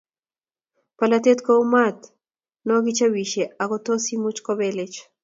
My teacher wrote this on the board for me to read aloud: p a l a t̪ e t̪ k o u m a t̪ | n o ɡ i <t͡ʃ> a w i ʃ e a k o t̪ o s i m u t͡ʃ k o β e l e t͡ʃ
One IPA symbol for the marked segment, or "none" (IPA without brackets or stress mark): t͡ʃ